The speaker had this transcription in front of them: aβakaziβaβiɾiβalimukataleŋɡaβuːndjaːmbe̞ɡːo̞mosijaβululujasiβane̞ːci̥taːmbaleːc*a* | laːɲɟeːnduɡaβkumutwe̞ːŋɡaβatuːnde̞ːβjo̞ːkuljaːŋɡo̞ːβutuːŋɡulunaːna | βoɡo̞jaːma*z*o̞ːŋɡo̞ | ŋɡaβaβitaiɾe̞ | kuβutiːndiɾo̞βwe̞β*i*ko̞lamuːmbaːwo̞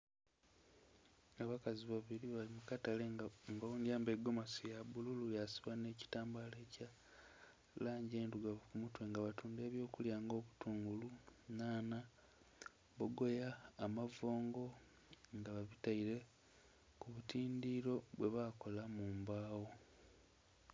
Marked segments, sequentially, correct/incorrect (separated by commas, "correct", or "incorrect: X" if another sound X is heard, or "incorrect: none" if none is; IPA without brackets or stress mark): correct, incorrect: v, incorrect: a